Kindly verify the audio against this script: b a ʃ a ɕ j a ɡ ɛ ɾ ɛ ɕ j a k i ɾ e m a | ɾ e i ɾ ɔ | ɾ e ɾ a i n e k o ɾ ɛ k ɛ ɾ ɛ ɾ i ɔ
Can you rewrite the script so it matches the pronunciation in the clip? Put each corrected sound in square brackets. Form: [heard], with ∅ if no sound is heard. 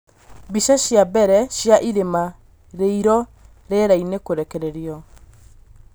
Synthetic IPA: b [i] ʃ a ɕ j a [b] ɛ ɾ ɛ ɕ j a [ʔ] i ɾ e m a | ɾ e i ɾ ɔ | ɾ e ɾ a i n e k o ɾ ɛ k ɛ ɾ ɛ ɾ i ɔ